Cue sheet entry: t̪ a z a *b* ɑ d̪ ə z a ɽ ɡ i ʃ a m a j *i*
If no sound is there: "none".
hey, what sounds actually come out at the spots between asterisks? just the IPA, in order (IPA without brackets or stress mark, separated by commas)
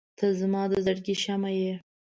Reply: m, e